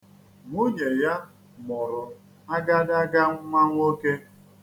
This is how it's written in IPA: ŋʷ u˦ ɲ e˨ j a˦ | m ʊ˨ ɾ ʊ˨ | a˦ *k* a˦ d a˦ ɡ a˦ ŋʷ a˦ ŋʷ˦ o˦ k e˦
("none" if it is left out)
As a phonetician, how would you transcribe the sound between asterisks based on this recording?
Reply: ɡ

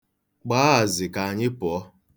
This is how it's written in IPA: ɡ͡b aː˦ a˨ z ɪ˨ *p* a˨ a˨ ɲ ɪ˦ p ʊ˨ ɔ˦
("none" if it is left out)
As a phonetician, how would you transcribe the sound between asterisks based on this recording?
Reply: k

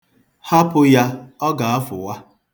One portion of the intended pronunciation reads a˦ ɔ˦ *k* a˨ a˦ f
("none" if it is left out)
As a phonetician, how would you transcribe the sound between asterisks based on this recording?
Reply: ɡ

